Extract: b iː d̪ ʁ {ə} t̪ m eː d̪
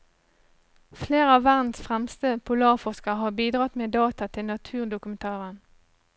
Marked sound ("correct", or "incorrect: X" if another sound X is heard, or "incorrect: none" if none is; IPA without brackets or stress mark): incorrect: ɑ